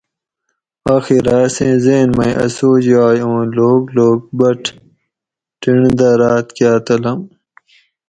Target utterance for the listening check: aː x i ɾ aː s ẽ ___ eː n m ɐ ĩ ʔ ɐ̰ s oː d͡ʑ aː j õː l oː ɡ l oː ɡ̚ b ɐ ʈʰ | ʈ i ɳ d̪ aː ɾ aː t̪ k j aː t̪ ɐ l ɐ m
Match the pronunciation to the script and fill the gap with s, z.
z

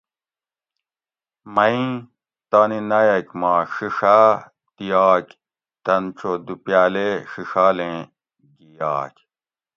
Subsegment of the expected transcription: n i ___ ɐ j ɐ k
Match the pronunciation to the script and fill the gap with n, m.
n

